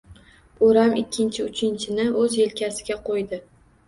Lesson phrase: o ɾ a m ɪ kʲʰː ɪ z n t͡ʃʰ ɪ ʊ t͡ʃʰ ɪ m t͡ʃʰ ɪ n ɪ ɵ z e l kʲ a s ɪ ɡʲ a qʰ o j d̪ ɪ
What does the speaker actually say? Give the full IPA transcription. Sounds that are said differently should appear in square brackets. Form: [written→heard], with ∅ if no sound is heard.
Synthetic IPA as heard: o ɾ a m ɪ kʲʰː ɪ [z→∅] n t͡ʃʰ ɪ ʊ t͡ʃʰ ɪ [m→n] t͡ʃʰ ɪ n ɪ ɵ z e l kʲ a s ɪ ɡʲ a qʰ o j d̪ ɪ